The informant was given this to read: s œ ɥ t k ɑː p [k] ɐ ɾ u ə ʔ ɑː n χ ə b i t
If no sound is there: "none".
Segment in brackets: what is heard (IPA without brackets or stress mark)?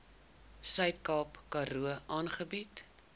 k